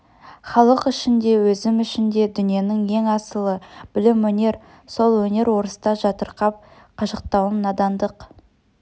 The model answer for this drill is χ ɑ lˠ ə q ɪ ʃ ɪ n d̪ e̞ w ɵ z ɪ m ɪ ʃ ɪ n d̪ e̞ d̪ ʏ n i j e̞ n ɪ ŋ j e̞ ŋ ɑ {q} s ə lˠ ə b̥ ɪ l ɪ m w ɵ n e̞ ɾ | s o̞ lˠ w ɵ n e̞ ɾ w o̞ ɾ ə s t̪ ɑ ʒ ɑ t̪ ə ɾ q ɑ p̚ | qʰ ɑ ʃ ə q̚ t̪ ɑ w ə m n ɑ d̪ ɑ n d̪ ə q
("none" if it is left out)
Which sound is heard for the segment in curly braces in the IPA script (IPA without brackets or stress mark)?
none